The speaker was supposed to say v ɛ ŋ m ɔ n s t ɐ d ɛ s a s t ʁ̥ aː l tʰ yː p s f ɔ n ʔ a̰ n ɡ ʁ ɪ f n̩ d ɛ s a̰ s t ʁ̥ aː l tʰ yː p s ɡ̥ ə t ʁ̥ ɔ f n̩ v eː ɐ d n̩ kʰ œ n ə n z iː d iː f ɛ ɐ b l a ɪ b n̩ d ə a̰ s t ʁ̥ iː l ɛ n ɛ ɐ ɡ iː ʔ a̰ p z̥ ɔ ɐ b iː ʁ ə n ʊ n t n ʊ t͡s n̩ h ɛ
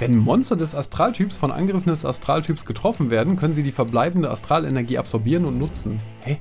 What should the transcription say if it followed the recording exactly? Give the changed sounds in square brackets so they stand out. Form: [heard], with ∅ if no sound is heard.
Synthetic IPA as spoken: v ɛ [n] m ɔ n s t ɐ d ɛ s a s t ʁ̥ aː l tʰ yː p s f ɔ n ʔ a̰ n ɡ ʁ ɪ f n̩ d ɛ s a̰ s t ʁ̥ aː l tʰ yː p s ɡ̥ ə t ʁ̥ ɔ f n̩ v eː ɐ d n̩ kʰ œ n ə n z iː d iː f ɛ ɐ b l a ɪ b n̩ d ə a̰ s t ʁ̥ [aː] l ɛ n ɛ ɐ ɡ iː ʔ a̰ p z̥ ɔ ɐ b iː ʁ ə n ʊ n t n ʊ t͡s n̩ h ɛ

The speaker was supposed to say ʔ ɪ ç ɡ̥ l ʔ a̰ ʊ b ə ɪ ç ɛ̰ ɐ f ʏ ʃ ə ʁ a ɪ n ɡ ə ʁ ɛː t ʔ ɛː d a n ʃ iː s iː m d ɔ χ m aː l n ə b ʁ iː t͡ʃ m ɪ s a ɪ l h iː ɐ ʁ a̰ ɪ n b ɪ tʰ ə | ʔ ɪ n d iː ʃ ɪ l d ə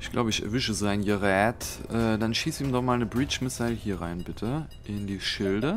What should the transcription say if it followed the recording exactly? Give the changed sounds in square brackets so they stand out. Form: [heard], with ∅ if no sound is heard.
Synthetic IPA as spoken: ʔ ɪ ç ɡ̥ l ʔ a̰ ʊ b ə ɪ ç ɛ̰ ɐ [v] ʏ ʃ ə [z] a ɪ n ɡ ə ʁ ɛː t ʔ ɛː d a n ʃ iː s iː m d ɔ χ m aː l n ə b ʁ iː t͡ʃ m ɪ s a ɪ l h iː ɐ ʁ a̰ ɪ n b ɪ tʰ ə | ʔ ɪ n d iː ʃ ɪ l d ə

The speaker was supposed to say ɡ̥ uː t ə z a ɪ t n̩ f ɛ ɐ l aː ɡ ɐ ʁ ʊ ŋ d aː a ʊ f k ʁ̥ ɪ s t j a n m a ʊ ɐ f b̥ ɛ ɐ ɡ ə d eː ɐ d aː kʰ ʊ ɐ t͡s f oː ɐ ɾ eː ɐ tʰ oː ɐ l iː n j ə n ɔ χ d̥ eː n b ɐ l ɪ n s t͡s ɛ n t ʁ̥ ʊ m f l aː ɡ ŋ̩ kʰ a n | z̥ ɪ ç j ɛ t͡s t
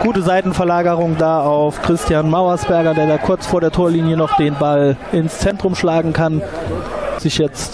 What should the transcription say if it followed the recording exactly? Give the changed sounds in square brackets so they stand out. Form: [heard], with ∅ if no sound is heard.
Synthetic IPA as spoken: ɡ̥ uː t ə z a ɪ t n̩ f ɛ ɐ l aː ɡ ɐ ʁ ʊ ŋ d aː a ʊ f k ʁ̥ ɪ s t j a n m a ʊ ɐ [s] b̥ ɛ ɐ ɡ [ɐ] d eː ɐ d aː kʰ ʊ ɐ t͡s f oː ɐ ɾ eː ɐ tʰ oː ɐ l iː n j ə n ɔ χ d̥ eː n b [a] l ɪ n s t͡s ɛ n t ʁ̥ ʊ m [ʃ] l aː ɡ ŋ̩ kʰ a n | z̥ ɪ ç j ɛ t͡s t

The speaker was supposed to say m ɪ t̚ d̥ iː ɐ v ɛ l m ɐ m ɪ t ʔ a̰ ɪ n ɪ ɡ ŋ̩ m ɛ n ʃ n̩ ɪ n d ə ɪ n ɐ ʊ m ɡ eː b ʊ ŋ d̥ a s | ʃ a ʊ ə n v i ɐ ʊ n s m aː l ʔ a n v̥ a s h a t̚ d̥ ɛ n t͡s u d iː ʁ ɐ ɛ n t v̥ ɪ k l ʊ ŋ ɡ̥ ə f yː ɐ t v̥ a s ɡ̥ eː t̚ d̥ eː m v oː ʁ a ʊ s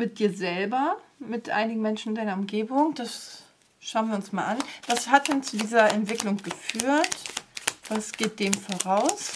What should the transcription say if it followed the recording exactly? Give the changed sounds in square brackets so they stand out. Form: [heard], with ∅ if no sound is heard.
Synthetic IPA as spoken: m ɪ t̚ d̥ iː ɐ [z] ɛ l [b] ɐ m ɪ t ʔ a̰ ɪ n ɪ ɡ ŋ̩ m ɛ n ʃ n̩ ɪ n d [a] ɪ n ɐ ʊ m ɡ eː b ʊ ŋ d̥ a s | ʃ a ʊ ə n v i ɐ ʊ n s m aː l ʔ a n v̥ a s h a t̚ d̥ ɛ n t͡s u d iː [z] ɐ ɛ n t v̥ ɪ k l ʊ ŋ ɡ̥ ə f yː ɐ t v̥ a s ɡ̥ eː t̚ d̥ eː m [f] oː ʁ a ʊ s

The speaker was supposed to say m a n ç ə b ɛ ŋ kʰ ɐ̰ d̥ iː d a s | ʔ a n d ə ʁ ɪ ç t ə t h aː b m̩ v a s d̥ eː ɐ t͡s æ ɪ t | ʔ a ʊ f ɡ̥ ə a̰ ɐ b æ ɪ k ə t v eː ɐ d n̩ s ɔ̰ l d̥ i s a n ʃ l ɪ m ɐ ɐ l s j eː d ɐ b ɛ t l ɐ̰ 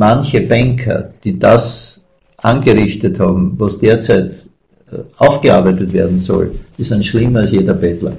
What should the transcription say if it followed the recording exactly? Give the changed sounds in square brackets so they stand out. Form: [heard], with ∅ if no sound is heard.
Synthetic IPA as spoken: m a n ç ə b ɛ ŋ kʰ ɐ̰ d̥ iː d a s | ʔ a n [ɡ] ə ʁ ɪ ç t ə t h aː b m̩ v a s d̥ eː ɐ t͡s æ ɪ t | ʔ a ʊ f ɡ̥ ə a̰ ɐ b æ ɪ [t] ə t v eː ɐ d n̩ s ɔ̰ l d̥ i s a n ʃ l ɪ m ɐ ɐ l s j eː d ɐ b ɛ t l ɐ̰

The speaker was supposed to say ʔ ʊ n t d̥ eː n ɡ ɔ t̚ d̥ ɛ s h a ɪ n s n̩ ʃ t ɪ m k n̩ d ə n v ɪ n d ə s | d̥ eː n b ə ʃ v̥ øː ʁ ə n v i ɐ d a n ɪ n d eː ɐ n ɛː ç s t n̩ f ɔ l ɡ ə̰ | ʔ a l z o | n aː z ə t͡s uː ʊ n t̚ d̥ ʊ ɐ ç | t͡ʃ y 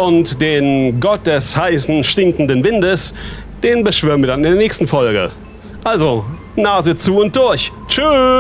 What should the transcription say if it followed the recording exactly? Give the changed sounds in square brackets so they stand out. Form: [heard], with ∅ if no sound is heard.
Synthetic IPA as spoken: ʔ ʊ n t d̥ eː n ɡ ɔ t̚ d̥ ɛ s h a ɪ [∅] s n̩ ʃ t ɪ [ŋ] k n̩ d ə n v ɪ n d ə s | d̥ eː n b ə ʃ v̥ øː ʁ ə n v i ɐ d a n ɪ n d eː ɐ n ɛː ç s t n̩ f ɔ l ɡ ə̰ | ʔ a l z o | n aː z ə t͡s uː ʊ n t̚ d̥ ʊ ɐ ç | t͡ʃ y

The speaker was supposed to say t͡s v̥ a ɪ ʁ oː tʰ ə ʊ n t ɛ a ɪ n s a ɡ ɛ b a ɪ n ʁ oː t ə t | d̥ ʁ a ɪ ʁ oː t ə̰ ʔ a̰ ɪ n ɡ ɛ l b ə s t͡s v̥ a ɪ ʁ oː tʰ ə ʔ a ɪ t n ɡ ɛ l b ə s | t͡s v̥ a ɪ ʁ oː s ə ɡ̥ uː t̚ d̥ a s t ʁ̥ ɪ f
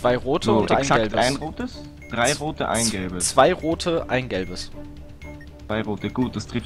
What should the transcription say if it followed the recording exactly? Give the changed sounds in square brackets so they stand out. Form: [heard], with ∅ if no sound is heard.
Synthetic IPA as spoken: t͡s v̥ a ɪ ʁ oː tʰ ə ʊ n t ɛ a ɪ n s a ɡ ɛ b a ɪ n ʁ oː t ə [s] | d̥ ʁ a ɪ ʁ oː t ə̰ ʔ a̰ ɪ n ɡ ɛ l b ə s t͡s v̥ a ɪ ʁ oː tʰ ə ʔ a ɪ [∅] n ɡ ɛ l b ə s | t͡s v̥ a ɪ ʁ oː [t] ə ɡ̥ uː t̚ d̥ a s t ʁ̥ ɪ f

